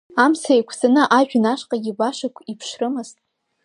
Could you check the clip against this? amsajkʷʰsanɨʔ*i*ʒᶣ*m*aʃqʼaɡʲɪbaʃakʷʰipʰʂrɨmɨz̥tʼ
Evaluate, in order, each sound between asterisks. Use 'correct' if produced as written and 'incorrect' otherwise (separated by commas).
incorrect, incorrect